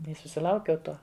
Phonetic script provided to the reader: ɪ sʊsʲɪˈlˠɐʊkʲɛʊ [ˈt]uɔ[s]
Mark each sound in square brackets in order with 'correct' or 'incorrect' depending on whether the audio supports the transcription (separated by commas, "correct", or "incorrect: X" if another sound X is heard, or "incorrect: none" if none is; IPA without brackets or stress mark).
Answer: correct, incorrect: none